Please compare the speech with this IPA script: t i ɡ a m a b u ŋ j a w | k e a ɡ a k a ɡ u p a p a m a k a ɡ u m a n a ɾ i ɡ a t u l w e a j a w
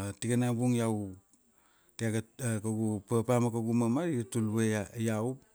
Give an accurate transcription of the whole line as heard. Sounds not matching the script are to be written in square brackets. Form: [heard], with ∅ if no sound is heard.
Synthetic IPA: t i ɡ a [n] a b u ŋ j a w | [t] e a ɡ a k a ɡ u p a p a m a k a ɡ u m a [m] a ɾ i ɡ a t u l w e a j a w